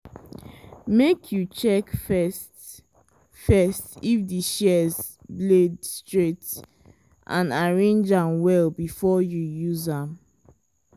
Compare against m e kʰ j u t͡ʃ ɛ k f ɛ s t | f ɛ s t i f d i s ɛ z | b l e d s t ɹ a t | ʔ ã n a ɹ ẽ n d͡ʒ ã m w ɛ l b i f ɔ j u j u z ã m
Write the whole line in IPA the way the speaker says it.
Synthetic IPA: m e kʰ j u t͡ʃ ɛ k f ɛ s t | f ɛ s t i f d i ʃ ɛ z | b l e d s t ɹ e t | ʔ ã n a ɹ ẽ n d͡ʒ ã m w ɛ l b i f ɔ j u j u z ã m